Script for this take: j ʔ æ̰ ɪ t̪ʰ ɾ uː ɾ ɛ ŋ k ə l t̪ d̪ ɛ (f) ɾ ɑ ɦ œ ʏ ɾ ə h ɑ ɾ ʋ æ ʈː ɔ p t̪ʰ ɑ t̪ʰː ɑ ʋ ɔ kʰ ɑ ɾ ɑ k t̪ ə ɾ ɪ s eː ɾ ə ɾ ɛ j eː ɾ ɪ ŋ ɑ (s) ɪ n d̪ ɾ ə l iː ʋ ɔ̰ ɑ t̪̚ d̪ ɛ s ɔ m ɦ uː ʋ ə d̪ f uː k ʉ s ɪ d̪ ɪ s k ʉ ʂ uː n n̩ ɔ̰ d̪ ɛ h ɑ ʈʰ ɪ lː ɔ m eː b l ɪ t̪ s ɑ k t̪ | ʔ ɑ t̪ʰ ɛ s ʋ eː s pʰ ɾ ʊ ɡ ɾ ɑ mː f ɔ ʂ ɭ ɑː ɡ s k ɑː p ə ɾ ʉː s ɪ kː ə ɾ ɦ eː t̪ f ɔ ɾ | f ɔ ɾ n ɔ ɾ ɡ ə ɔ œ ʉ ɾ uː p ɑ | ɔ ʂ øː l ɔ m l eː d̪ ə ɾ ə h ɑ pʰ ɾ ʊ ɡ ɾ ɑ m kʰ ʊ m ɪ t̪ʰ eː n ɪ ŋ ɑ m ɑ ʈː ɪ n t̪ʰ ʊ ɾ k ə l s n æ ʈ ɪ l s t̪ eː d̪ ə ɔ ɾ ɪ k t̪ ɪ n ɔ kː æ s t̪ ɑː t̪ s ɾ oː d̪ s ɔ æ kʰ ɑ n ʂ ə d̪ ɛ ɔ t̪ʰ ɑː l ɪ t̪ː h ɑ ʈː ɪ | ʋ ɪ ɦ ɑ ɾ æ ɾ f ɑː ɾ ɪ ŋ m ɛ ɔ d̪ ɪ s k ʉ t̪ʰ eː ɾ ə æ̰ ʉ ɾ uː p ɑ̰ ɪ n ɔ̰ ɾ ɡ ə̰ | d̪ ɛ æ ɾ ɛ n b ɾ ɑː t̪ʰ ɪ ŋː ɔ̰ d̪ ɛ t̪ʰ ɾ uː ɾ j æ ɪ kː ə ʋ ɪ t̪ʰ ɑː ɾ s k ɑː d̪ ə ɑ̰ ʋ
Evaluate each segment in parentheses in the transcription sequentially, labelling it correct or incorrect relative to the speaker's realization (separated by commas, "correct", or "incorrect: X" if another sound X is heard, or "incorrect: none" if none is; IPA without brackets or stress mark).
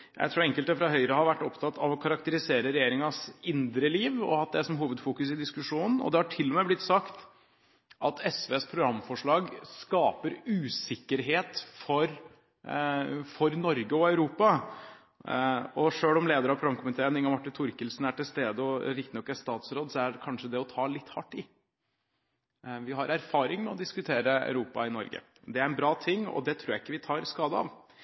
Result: correct, correct